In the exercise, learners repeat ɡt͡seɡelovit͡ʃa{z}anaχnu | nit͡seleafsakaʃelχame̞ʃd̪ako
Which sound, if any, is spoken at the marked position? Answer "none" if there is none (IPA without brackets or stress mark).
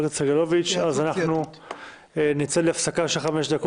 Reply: z